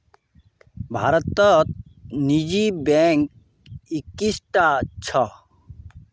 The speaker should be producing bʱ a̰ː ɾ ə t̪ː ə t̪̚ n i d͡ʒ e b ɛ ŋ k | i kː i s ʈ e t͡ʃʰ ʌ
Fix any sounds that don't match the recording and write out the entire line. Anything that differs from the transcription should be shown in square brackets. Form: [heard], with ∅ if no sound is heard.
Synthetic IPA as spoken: bʱ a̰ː ɾ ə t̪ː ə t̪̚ n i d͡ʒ [i] b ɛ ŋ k | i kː i s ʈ [a] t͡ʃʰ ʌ